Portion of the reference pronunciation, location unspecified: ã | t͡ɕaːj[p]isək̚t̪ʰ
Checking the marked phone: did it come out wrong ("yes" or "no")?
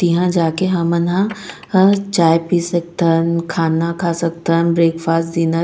no